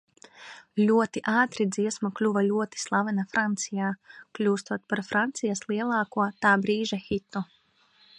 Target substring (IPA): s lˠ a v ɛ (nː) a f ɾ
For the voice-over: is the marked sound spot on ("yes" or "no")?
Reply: no